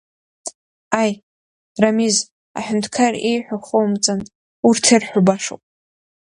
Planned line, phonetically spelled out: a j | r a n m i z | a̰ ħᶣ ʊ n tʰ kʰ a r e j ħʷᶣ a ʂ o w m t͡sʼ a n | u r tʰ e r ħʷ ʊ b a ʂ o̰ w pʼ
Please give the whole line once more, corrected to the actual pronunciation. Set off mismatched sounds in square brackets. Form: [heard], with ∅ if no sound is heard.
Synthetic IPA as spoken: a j | r a [∅] m i z | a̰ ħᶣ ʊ n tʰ kʰ a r e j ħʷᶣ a [χ] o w m t͡sʼ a n | u r tʰ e r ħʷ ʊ b a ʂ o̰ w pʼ